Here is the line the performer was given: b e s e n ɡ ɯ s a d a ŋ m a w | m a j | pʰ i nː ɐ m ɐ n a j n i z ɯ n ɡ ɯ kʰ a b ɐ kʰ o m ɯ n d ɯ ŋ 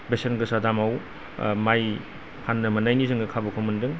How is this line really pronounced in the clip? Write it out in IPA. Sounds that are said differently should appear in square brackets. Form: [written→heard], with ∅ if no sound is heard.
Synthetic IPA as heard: b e s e n ɡ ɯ s a d a [ŋ→∅] m a w | m a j | pʰ [i→a] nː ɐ m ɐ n a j n i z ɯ [n→ŋ] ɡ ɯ kʰ a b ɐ kʰ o m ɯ n d ɯ ŋ